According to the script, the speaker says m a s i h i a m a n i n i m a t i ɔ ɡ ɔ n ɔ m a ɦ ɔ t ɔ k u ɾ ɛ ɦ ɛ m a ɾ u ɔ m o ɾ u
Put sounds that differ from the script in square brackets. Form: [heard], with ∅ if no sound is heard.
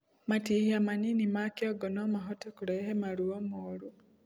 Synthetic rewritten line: m a [t] i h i a m a n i n i m a [k] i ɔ ɡ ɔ n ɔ m a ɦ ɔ t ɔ k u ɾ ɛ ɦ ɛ m a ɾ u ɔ m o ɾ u